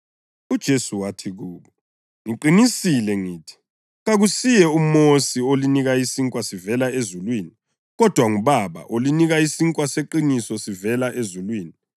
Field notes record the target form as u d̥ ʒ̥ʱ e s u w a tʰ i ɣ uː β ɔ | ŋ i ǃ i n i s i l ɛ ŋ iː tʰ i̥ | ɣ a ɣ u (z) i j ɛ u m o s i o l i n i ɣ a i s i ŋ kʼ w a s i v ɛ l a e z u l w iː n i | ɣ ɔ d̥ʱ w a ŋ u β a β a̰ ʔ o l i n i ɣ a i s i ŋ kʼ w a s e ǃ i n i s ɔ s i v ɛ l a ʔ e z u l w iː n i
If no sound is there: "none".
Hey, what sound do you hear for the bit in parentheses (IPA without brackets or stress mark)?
s